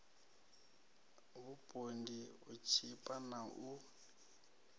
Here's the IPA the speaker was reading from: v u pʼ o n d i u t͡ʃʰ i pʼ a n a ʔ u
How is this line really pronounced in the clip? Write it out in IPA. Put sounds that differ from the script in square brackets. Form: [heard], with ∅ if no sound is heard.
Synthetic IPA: [β] u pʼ o n d i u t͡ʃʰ i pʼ a n a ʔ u